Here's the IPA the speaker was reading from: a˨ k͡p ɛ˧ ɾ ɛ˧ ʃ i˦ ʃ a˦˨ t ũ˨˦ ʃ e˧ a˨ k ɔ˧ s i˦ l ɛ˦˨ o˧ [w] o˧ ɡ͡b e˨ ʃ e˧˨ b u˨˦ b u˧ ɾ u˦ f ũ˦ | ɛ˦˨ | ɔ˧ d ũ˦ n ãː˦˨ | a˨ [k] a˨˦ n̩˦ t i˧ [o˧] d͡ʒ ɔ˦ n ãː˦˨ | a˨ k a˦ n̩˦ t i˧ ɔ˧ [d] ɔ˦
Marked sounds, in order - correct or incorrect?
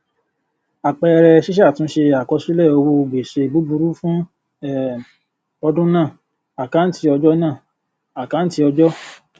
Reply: correct, correct, incorrect: ɔ˧, incorrect: d͡ʒ

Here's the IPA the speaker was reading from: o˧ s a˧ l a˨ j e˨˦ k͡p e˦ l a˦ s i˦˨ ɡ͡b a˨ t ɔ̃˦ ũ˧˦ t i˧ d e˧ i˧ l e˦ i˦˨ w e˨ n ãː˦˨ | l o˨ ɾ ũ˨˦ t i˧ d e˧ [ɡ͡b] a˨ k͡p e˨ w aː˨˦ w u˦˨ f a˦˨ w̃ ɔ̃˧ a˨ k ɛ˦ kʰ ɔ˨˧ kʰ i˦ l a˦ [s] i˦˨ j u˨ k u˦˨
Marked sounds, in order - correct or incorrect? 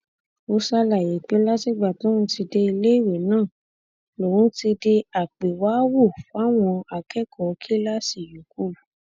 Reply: incorrect: none, correct

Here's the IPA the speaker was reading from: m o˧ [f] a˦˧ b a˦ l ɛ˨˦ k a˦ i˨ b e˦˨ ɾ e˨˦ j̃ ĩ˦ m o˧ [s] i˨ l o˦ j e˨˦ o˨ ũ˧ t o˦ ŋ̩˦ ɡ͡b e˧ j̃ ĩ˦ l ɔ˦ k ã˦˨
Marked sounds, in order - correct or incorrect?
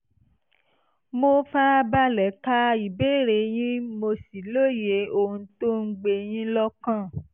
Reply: correct, correct

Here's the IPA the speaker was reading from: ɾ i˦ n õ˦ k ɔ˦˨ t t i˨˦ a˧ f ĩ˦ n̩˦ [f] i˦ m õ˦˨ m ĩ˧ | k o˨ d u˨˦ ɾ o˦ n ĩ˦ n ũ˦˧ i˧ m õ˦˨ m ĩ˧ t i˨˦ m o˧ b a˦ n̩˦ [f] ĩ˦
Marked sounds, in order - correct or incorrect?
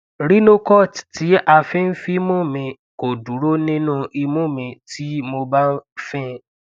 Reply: correct, correct

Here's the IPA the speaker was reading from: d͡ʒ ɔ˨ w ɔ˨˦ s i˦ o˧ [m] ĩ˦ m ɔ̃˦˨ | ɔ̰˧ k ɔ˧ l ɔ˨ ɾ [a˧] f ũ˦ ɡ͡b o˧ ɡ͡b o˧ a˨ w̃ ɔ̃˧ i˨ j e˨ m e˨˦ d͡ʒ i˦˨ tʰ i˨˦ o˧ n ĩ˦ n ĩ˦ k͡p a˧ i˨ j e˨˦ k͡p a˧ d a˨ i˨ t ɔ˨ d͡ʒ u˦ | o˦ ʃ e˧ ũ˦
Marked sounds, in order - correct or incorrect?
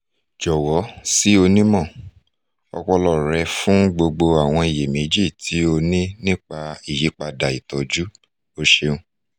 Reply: incorrect: n, incorrect: ɛ˧

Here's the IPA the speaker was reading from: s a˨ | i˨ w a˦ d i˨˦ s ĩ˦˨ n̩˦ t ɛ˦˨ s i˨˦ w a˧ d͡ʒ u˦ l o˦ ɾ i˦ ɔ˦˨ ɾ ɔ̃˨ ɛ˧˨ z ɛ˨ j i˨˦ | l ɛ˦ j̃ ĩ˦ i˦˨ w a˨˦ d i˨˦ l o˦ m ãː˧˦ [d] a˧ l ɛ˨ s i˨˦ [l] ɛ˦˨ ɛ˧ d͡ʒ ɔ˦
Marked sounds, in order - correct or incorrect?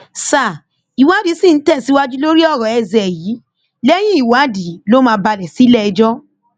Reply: incorrect: b, correct

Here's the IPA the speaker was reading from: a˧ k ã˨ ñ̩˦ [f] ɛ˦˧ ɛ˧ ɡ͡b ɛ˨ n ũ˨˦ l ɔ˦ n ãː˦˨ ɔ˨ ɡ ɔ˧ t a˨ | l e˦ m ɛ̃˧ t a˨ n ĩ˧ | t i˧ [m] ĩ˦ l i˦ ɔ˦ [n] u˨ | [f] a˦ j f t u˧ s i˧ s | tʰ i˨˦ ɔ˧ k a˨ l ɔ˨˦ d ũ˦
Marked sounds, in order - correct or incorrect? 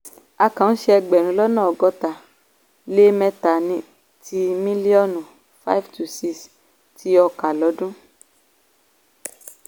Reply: incorrect: ʃ, correct, correct, correct

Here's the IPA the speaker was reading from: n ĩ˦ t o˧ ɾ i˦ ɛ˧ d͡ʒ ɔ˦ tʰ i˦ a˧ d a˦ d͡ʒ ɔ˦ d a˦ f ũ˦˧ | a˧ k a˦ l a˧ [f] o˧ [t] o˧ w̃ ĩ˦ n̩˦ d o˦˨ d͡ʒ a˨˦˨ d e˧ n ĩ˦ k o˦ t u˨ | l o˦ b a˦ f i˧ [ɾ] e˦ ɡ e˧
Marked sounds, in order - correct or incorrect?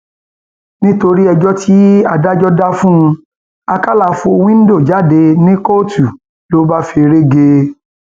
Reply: correct, incorrect: none, correct

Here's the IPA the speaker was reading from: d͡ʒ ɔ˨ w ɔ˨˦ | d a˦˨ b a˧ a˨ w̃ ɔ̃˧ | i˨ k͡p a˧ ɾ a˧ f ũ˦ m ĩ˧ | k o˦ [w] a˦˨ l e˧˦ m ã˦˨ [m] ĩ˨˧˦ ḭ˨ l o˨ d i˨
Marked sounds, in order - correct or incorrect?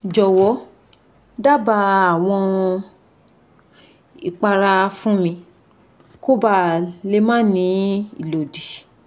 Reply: incorrect: b, incorrect: n

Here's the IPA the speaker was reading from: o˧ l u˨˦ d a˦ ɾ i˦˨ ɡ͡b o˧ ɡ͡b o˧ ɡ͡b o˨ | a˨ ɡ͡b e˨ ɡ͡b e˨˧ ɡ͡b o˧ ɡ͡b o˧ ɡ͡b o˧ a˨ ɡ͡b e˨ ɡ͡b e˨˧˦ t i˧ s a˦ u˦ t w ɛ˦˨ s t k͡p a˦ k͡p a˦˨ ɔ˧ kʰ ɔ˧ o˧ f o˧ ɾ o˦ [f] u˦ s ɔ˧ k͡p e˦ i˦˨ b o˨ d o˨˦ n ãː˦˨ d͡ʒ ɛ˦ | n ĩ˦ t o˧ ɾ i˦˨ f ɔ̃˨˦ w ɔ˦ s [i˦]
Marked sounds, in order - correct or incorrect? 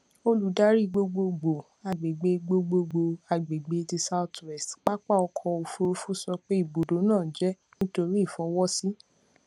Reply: correct, correct

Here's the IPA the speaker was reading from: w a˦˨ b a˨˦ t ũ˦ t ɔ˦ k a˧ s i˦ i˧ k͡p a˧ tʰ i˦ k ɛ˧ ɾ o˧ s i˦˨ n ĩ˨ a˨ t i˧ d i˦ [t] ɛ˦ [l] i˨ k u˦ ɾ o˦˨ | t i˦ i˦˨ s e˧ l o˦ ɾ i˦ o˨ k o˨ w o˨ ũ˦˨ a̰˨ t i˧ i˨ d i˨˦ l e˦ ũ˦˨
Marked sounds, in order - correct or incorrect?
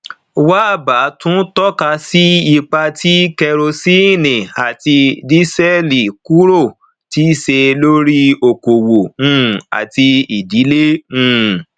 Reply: incorrect: s, correct

